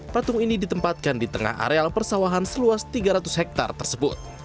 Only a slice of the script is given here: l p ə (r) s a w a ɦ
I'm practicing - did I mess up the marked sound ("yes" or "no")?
no